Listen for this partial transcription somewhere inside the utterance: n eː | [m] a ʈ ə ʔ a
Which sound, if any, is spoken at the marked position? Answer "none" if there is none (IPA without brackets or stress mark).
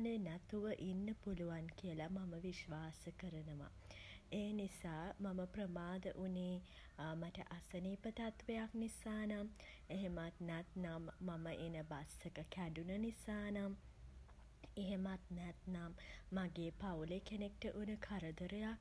m